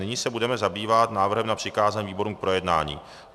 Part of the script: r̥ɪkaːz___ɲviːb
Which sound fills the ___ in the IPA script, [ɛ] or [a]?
a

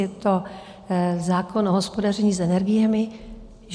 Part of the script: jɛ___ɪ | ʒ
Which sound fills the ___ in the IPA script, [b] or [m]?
m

